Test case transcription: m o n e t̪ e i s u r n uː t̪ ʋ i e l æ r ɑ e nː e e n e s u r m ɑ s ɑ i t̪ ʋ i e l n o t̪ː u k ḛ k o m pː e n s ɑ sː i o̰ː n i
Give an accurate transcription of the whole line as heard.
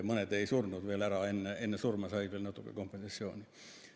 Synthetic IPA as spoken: m o n e t̪ e i s u r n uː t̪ ʋ i e l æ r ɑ e nː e e nː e s u r m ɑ s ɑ i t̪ ʋ i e l n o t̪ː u k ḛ k o m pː e n s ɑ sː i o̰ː n i